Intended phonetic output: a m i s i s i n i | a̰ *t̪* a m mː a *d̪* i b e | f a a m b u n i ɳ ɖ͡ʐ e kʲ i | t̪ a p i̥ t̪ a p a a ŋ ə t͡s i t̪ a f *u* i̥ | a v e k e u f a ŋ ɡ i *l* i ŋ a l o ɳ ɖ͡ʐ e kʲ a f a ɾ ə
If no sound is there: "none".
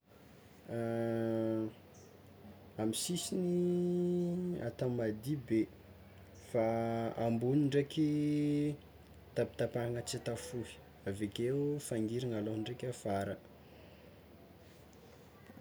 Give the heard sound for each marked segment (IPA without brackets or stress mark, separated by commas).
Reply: t̪, d̪, u, ɾ